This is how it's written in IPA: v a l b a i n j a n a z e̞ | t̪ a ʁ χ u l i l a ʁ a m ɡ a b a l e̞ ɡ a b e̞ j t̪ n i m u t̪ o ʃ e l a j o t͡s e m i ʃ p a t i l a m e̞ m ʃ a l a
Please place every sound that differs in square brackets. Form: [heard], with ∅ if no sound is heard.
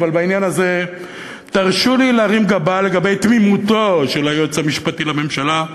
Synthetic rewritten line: v a l b a i n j a n a z e̞ | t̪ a ʁ [ʃ] u l i l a ʁ [i] m ɡ a b a l e̞ ɡ a b e̞ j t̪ [m] i m u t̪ o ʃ e l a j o t͡s [a] m i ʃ p a t i l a m e̞ m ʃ a l a